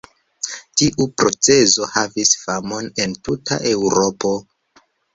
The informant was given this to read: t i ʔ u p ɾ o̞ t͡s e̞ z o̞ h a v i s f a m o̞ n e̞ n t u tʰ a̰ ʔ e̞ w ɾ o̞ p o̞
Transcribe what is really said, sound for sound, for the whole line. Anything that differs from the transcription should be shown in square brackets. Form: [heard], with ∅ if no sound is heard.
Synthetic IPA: t i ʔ u p ɾ o̞ t͡s e̞ z o̞ h a v i s f a m o̞ n e̞ n t u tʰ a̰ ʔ e̞ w ɾ o̞ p o̞